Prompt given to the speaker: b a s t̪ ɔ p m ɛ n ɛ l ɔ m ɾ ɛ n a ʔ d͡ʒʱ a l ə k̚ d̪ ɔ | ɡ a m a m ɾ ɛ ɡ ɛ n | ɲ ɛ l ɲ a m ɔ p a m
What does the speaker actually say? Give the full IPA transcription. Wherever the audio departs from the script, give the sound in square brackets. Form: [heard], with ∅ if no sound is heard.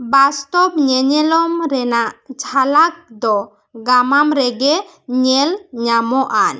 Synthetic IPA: b a s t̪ ɔ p [ɲ] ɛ [ɲ] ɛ l ɔ m ɾ ɛ n a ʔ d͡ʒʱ a l [a] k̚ d̪ ɔ | ɡ a m a m ɾ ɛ ɡ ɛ [∅] | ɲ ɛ l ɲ a m ɔ [ʔ] a [n]